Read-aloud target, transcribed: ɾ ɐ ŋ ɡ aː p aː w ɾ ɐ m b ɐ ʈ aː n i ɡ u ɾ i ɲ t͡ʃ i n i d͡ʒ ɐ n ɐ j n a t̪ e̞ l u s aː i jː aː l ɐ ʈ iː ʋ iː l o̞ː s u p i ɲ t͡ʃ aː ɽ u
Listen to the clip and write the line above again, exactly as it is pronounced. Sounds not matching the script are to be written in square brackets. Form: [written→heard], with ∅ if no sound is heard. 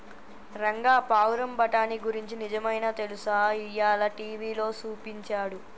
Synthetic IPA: ɾ ɐ ŋ ɡ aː p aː w ɾ ɐ m b ɐ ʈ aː n i ɡ u ɾ i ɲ t͡ʃ i n i d͡ʒ ɐ [n→m] ɐ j n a t̪ e̞ l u s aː i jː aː l ɐ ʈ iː ʋ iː l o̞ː s [u→uː] p i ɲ t͡ʃ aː ɽ u